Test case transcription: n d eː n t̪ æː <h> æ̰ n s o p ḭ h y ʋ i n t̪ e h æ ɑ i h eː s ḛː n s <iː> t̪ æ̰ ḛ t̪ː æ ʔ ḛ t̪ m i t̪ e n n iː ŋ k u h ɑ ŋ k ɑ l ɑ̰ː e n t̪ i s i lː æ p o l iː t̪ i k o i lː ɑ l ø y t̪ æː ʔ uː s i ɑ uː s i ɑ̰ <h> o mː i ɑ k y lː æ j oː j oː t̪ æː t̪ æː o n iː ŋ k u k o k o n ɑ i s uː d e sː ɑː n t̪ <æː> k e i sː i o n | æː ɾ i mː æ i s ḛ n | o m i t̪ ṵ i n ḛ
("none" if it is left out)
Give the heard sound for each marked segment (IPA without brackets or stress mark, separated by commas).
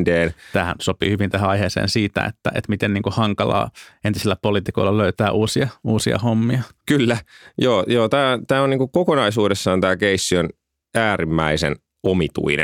h, iː, h, æː